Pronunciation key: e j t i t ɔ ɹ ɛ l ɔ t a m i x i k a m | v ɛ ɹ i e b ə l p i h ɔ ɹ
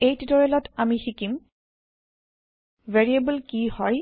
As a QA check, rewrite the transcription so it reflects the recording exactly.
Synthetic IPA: e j t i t ɔ ɹ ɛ l ɔ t a m i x i k i m | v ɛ ɹ i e b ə l k i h ɔ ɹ